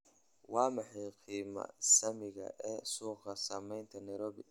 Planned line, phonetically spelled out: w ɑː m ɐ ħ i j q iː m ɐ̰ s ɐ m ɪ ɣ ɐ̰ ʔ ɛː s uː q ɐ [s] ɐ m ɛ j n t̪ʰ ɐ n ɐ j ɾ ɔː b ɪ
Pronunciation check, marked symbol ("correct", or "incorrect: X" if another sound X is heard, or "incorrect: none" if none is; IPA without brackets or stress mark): correct